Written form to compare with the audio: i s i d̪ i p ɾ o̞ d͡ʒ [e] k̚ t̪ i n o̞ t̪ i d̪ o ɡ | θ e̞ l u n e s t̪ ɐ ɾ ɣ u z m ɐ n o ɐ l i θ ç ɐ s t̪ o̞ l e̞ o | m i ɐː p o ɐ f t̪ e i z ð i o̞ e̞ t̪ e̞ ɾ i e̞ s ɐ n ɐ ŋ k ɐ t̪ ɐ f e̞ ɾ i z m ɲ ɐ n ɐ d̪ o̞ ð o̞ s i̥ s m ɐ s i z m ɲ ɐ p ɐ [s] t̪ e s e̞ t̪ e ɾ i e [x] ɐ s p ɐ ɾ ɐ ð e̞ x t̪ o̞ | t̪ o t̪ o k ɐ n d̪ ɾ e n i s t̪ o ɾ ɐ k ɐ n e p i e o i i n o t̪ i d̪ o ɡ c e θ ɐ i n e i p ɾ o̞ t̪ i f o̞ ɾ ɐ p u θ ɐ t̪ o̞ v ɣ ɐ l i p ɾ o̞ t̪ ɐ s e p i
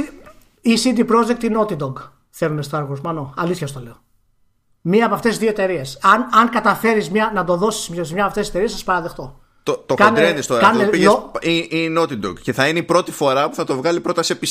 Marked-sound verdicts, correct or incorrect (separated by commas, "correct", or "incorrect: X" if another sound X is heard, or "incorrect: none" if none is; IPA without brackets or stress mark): correct, incorrect: f, incorrect: s